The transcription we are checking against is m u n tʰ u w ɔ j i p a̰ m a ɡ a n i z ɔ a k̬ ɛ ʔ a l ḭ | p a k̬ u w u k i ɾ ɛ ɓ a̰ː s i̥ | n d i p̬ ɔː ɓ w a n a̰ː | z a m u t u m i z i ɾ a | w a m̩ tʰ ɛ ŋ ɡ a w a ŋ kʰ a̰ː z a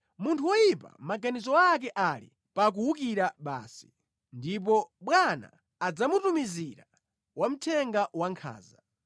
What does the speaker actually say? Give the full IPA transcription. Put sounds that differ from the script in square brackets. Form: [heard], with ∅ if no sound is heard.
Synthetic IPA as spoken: m u n tʰ u w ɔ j i p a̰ m a ɡ a n i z ɔ a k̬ ɛ ʔ a l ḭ | p a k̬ u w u k i ɾ [a] ɓ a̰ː s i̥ | n d i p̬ [ɔ] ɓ w a n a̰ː | [d͡z] a m u t u m i z i ɾ a | w a m̩ tʰ ɛ ŋ ɡ a w a ŋ kʰ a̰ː z a

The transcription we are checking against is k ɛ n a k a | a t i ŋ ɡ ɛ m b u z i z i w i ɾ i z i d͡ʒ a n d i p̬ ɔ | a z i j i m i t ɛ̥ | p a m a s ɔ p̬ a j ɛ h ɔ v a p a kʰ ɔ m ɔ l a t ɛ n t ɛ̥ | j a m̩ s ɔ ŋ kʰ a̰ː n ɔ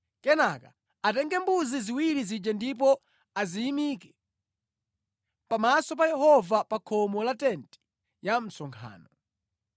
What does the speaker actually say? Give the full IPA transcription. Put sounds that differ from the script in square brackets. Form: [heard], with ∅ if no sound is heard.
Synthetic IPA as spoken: k ɛ n a k a | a t [ɛ] ŋ ɡ ɛ m b u z i z i w i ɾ i z i d͡ʒ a n d i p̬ ɔ | a z i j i m i [k] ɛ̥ | p a m a s ɔ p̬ a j ɛ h ɔ v a p a kʰ ɔ m ɔ l a t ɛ n t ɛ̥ | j a m̩ s ɔ ŋ kʰ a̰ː n ɔ

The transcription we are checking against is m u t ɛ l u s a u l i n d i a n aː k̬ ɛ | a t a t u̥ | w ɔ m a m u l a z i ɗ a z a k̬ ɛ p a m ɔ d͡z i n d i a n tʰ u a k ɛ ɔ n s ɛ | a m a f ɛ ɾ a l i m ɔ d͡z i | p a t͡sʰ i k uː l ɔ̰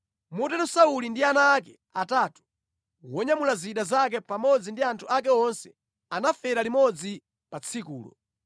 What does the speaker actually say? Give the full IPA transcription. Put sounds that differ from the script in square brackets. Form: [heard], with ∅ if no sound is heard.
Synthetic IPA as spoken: m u t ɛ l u s a u l i n d i a n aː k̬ ɛ | a t a t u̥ | w ɔ [ɲ] a m u l a z i ɗ a z a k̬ ɛ p a m ɔ d͡z i n d i a n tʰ u a k ɛ ɔ n s ɛ | a [n] a f ɛ ɾ a l i m ɔ d͡z i | p a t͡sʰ i k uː l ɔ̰

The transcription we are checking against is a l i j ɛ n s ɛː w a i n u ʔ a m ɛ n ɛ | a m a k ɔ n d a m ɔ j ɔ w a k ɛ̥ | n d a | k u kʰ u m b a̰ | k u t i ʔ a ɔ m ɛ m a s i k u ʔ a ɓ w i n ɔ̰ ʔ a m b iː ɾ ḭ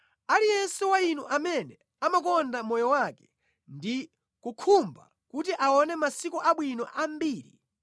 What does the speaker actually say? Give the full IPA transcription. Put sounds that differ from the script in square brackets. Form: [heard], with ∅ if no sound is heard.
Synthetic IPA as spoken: a l i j ɛ n s [ɛ] w a i n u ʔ a m ɛ n ɛ | a m a k ɔ n d a m ɔ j ɔ w a k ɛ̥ | n d [i] | k u kʰ u m b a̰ | k u t i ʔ a ɔ [n] ɛ m a s i k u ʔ a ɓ w i n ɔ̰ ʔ a m b iː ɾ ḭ

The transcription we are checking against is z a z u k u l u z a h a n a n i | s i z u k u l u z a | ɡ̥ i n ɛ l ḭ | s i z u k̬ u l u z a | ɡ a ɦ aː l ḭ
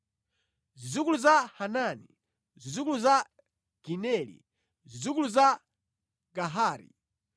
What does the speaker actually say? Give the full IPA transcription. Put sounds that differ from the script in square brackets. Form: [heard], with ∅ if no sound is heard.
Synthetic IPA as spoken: z [i] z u k u l u z a h a n a n i | [z] i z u k u l u z a | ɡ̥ i n ɛ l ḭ | [z] i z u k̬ u l u z a | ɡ a ɦ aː [ɾ] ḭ

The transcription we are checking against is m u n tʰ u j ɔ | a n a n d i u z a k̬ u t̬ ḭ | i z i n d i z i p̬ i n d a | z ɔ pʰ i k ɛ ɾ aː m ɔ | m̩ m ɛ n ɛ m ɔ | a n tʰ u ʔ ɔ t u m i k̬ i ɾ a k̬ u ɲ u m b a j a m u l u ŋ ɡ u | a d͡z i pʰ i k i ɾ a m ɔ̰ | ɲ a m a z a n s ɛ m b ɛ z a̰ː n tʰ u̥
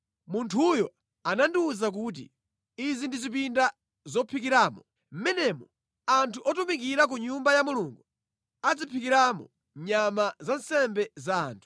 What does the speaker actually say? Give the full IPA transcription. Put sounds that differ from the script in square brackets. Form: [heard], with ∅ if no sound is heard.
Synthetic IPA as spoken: m u n tʰ u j ɔ | a n a n d i u z a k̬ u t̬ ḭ | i z i n d i z i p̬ i n d a | z ɔ pʰ i k [i] ɾ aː m ɔ | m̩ m ɛ n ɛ m ɔ | a n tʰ u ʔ ɔ t u m i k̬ i ɾ a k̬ u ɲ u m b a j a m u l u ŋ ɡ u | a d͡z i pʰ i k i ɾ a m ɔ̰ | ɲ a m a z a n s ɛ m b ɛ z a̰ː n tʰ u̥

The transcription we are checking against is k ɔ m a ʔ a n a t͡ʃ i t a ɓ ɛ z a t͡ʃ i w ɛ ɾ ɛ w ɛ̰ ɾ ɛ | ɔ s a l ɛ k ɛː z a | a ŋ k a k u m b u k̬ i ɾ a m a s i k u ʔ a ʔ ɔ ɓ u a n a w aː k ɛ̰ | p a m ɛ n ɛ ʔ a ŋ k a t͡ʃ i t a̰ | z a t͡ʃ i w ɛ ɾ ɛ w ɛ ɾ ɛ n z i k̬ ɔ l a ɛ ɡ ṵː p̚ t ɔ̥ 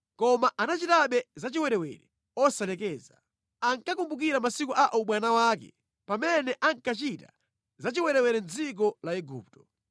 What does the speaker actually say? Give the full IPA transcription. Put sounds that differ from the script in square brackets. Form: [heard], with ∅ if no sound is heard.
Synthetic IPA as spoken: k ɔ m a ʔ a n a t͡ʃ i t a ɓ ɛ z a t͡ʃ i w ɛ ɾ ɛ w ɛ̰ ɾ ɛ | ɔ s a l ɛ k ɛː z a | a ŋ k a k u m b u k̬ i ɾ a m a s i k u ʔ a ʔ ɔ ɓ [w] a n a w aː k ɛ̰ | p a m ɛ n ɛ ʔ a ŋ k a t͡ʃ i t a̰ | z a t͡ʃ i w ɛ ɾ ɛ w ɛ ɾ ɛ n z i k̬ ɔ l a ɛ ɡ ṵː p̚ t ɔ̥

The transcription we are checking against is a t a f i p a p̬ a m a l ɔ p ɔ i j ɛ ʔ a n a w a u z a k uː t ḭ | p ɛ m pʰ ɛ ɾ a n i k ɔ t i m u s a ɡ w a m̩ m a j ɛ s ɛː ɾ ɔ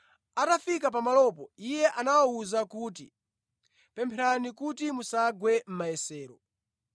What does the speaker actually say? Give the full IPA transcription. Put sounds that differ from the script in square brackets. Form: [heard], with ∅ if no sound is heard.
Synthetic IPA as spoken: a t a f i [k] a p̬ a m a l ɔ p ɔ i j ɛ ʔ a n a w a u z a k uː t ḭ | p ɛ m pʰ ɛ ɾ a n i k [u] t i m u s a ɡ w [ɛ] m̩ m a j ɛ s ɛː ɾ ɔ

